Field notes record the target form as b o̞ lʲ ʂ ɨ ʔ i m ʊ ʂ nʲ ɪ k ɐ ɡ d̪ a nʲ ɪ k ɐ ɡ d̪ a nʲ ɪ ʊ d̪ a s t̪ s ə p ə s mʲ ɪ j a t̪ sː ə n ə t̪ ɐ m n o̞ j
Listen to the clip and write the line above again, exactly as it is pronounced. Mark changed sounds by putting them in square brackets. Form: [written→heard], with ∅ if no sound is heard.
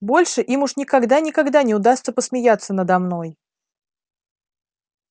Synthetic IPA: b o̞ lʲ ʂ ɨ ʔ i m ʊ ʂ nʲ ɪ k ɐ ɡ d̪ a nʲ ɪ k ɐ ɡ d̪ a nʲ ɪ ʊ d̪ a s t̪ s ə p ə s mʲ ɪ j a t̪ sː ə n ə [t̪→d̪] ɐ m n o̞ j